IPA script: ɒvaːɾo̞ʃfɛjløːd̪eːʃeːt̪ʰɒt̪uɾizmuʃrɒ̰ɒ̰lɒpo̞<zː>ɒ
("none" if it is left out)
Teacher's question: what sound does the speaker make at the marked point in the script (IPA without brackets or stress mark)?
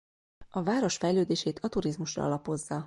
zː